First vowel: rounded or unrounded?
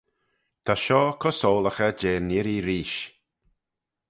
unrounded